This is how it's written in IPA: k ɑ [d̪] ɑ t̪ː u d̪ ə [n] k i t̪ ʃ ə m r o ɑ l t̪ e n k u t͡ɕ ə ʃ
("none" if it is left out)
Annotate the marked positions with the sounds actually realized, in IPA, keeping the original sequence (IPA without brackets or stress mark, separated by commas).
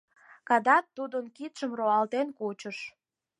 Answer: d̪, n